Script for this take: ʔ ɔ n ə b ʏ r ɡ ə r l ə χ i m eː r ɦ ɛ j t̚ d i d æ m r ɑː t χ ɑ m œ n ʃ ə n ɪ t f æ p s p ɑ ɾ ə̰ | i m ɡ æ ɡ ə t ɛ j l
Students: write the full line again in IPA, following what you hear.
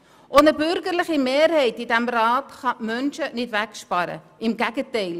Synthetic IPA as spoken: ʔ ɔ n ə b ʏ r ɡ ə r l ə χ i m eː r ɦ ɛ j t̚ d i d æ m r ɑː t χ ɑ m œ n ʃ ə n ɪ t v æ k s p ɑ ɾ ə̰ | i m ɡ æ ɡ ə t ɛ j l